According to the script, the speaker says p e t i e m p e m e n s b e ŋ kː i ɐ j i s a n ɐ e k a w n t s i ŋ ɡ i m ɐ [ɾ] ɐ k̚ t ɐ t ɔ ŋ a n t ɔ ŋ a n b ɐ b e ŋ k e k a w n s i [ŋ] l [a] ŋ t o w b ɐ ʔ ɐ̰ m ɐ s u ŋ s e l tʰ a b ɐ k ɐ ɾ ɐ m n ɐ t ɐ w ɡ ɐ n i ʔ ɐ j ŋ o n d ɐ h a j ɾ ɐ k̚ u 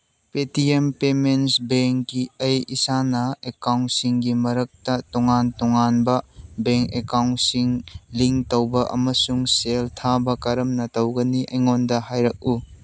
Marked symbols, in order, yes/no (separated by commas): yes, yes, no